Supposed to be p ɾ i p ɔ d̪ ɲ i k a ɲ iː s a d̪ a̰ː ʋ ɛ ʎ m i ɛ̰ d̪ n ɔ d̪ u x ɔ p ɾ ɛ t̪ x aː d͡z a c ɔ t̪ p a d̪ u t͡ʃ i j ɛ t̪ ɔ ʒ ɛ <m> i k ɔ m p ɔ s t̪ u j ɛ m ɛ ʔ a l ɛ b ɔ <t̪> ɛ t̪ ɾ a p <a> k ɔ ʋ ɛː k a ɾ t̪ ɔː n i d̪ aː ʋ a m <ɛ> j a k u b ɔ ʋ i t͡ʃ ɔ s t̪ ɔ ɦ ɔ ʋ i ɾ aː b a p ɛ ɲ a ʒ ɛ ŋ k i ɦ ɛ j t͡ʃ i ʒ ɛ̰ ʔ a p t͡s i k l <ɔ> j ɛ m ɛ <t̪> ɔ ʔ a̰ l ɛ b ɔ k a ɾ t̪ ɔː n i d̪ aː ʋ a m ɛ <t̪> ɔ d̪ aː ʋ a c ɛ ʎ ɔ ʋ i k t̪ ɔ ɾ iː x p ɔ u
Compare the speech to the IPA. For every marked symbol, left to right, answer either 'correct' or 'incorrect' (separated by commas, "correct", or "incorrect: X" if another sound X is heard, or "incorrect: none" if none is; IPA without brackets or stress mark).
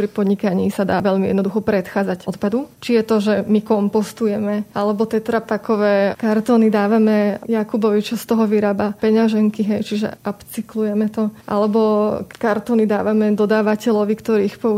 correct, correct, correct, correct, incorrect: u, correct, incorrect: d̪